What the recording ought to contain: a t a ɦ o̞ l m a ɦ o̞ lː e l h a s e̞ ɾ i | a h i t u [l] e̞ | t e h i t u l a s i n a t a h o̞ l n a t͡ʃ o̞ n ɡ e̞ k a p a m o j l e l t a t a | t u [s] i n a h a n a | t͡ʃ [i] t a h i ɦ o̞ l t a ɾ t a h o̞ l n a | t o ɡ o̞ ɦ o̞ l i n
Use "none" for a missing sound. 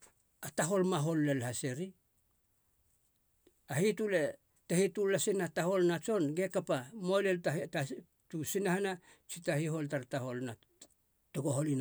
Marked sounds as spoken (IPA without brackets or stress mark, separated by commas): l, s, i